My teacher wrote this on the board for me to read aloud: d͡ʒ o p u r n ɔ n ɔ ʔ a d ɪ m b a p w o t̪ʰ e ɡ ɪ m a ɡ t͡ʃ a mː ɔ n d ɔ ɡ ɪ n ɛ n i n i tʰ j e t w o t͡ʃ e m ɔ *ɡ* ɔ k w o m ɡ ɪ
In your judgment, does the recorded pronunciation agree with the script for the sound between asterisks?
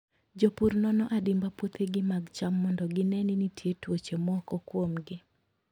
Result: no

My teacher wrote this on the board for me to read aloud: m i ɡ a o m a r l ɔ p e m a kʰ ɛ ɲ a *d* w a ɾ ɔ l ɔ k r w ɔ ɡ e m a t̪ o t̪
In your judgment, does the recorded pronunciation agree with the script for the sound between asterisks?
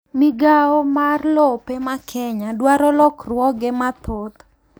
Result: yes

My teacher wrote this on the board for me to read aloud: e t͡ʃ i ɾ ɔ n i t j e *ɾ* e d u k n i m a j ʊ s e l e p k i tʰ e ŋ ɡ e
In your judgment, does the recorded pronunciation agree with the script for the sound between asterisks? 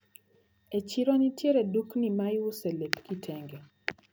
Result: yes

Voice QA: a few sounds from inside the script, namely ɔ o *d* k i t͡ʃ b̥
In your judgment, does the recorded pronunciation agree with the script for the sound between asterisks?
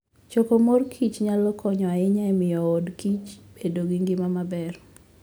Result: yes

